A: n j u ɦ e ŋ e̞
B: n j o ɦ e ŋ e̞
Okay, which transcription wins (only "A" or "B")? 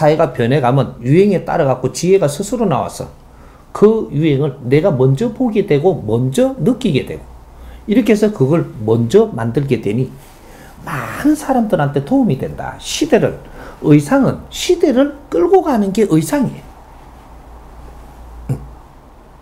A